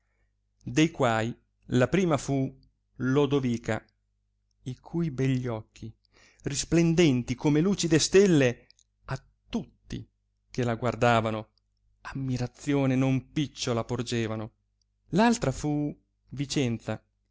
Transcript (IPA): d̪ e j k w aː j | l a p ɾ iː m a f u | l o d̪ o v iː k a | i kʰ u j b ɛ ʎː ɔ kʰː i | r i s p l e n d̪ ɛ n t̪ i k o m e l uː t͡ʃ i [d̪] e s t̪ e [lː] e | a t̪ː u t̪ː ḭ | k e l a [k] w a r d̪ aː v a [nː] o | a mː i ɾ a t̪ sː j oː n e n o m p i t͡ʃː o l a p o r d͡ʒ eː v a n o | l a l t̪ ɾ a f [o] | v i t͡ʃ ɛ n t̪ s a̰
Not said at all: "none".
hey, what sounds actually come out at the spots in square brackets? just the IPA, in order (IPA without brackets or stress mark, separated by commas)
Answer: d̪, lː, ɡ, n, u